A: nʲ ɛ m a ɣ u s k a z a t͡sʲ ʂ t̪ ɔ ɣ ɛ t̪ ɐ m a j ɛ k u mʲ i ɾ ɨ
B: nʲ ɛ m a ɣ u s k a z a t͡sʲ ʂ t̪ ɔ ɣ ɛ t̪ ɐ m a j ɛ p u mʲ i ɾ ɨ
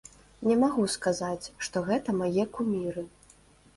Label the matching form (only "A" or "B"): A